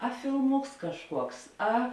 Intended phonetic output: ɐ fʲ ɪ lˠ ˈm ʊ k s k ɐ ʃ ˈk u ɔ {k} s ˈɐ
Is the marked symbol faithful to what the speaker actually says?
yes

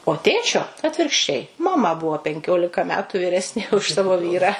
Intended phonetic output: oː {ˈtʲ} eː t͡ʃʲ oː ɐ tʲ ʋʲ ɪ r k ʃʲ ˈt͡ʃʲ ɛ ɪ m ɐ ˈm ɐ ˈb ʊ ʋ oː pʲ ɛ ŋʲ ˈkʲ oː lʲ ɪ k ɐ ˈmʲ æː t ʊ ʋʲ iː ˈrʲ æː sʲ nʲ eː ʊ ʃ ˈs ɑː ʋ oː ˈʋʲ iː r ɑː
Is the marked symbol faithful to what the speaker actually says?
yes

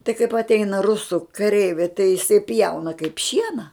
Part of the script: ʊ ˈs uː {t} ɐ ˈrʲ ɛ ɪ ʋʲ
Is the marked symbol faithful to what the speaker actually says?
no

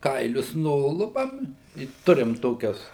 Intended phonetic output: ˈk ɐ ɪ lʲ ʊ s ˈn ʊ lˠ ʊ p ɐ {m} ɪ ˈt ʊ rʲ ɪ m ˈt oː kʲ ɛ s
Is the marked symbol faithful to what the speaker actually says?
yes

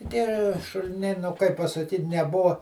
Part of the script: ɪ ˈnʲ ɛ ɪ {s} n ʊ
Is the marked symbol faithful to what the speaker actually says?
no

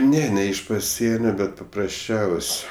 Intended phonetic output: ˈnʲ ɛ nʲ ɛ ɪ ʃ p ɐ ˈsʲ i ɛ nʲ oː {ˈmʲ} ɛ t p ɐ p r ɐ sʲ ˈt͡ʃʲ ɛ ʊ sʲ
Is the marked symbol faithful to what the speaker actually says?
no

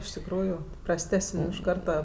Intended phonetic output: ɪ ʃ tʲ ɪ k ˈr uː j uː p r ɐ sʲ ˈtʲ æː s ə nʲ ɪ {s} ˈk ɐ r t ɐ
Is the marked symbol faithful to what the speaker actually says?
no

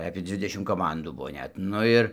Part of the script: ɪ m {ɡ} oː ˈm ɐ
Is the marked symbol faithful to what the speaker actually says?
no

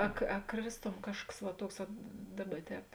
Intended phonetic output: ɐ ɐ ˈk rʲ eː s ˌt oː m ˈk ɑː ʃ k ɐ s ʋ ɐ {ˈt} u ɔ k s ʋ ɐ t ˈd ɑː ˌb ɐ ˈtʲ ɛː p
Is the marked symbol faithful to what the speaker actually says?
yes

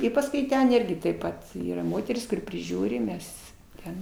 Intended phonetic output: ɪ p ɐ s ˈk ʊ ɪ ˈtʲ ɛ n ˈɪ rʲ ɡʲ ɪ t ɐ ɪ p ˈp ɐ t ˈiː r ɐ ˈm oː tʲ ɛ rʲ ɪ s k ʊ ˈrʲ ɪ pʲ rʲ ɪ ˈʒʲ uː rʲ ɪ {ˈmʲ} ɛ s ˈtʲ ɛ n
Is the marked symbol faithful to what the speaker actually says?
yes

